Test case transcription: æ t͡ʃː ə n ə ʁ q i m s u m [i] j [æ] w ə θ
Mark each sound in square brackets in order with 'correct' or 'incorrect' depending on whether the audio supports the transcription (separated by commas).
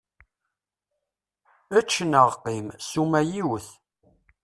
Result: incorrect, incorrect